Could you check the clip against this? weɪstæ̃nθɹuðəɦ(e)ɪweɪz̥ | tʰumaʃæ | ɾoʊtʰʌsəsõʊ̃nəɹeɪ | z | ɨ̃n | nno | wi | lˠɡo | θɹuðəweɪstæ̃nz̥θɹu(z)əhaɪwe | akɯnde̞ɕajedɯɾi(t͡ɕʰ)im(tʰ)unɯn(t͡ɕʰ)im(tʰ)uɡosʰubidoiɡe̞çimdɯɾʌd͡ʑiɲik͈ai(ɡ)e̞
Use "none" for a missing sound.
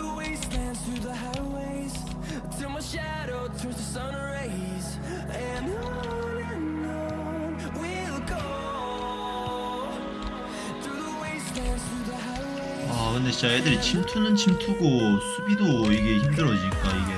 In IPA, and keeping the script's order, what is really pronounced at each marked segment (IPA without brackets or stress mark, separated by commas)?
a, ð, t͡ɕʰ, tʰ, t͡ɕʰ, tʰ, ɡ